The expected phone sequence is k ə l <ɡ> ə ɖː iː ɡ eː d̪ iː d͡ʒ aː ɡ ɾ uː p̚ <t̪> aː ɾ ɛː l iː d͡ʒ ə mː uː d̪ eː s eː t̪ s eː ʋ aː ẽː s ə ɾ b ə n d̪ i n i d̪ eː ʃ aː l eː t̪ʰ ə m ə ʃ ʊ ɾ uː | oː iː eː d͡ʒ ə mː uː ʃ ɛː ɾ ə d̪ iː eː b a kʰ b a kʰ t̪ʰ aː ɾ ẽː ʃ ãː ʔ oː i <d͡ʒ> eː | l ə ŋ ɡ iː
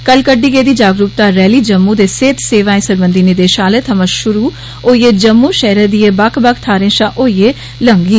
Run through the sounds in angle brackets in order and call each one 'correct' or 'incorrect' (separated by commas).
incorrect, correct, incorrect